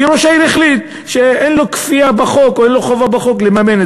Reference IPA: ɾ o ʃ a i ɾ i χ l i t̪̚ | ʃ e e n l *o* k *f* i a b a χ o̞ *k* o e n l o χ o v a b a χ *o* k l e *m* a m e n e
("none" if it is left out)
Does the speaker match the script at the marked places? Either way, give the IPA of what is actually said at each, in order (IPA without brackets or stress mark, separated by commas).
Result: o, f, k, o, m